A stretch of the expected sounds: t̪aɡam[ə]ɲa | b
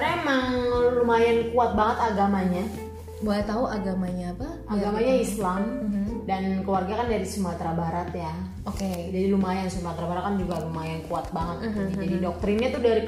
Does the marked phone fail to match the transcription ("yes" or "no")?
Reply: yes